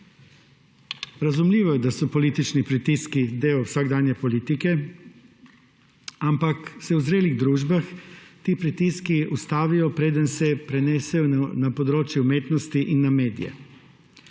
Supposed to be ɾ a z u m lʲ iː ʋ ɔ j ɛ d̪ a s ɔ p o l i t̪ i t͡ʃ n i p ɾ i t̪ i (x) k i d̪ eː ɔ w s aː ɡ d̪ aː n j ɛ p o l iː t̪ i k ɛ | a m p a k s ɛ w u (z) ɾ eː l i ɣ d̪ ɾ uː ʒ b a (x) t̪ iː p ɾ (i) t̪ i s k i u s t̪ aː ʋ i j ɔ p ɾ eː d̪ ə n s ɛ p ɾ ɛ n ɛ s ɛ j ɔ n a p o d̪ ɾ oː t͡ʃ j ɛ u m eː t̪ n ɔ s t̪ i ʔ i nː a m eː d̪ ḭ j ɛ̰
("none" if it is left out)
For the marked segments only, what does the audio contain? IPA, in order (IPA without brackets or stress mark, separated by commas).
s, z, x, i